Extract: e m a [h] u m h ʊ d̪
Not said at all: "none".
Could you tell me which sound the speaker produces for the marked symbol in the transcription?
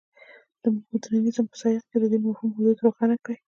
h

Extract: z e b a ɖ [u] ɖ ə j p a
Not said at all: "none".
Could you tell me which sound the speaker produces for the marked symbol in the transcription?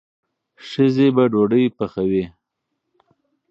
o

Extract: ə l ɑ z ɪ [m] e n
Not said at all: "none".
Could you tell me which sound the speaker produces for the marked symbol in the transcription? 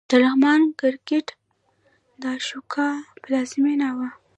m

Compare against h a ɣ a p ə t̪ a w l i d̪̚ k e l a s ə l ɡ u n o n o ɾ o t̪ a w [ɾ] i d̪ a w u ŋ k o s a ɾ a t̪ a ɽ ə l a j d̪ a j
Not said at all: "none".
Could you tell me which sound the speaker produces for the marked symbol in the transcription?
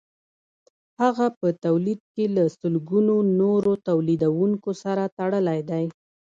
l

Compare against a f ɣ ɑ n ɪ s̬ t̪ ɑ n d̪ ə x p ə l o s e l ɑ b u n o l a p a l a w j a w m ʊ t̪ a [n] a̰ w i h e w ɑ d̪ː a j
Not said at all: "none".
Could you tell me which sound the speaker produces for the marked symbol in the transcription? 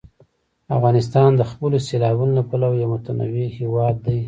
n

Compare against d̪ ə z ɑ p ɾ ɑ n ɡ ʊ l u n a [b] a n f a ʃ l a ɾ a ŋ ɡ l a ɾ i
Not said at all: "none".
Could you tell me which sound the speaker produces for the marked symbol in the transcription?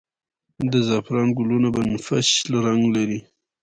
b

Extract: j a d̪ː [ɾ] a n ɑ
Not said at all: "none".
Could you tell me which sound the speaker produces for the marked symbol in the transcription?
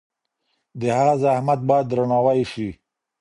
ɾ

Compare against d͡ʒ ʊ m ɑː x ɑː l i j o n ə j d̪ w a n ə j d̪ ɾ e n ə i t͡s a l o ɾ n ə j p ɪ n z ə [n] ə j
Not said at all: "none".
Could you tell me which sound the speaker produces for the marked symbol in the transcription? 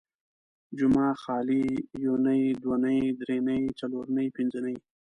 n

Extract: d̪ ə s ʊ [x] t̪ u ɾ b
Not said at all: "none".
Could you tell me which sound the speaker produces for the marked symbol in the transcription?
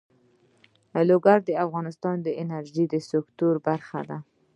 k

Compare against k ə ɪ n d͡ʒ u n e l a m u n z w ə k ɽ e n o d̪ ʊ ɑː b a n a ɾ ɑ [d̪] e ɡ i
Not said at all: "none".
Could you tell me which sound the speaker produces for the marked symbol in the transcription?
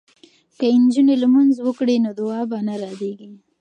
d̪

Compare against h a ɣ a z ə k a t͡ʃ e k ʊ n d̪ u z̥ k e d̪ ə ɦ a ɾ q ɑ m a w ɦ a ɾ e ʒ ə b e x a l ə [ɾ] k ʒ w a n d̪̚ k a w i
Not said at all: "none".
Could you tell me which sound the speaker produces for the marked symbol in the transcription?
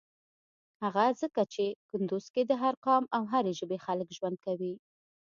none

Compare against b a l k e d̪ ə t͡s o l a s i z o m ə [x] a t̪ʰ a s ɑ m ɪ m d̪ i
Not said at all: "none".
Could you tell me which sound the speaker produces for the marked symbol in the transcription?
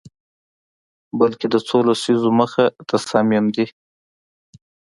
x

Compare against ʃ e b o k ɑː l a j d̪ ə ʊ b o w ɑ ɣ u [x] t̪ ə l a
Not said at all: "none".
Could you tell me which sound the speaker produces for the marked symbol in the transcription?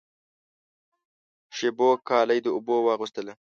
s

